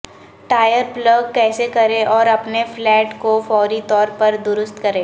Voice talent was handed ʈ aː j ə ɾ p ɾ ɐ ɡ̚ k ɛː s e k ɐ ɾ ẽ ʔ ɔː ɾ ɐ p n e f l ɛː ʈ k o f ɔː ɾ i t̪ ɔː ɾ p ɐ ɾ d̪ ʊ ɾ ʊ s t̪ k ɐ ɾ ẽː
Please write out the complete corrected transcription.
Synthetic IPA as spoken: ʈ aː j ə ɾ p l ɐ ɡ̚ k ɛː s e k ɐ ɾ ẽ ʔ ɔː ɾ ɐ p n e f l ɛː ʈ k o f ɔː ɾ i t̪ ɔː ɾ p ɐ ɾ d̪ ʊ ɾ ʊ s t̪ k ɐ ɾ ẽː